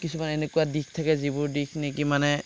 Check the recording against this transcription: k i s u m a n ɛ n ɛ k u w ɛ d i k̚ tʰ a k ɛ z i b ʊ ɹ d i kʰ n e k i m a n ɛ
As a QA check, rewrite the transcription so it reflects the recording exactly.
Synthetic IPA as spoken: k i s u m a n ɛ n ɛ k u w a d i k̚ tʰ a k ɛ z i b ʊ ɹ d i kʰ n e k i m a n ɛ